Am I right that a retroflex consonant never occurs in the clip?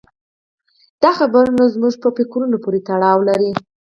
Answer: no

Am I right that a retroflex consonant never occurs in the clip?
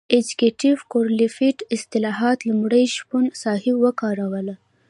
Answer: no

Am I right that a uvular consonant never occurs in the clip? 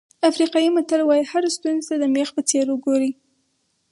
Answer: no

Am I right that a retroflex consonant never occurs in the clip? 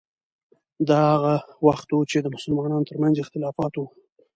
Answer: yes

